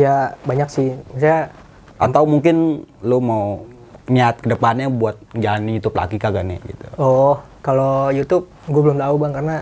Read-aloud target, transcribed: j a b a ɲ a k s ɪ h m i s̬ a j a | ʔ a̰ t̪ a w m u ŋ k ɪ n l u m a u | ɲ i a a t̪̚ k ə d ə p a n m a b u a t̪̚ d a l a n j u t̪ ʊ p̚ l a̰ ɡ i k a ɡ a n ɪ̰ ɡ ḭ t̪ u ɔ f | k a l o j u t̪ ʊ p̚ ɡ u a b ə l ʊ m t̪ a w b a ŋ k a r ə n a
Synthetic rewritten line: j a b a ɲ a k s ɪ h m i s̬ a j a | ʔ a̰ t̪ a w m u ŋ k ɪ n l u m a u | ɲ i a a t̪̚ k ə d ə p a n ɲ a b u a t̪̚ d͡ʒ a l a n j u t̪ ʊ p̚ l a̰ ɡ i k a ɡ a n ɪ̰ ɡ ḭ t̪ u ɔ h | k a l o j u t̪ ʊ p̚ ɡ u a b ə l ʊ m t̪ a u b a ŋ k a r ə n a